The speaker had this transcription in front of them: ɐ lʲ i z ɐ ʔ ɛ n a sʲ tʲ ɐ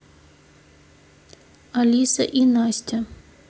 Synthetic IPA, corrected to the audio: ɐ lʲ i s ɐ ʔ i n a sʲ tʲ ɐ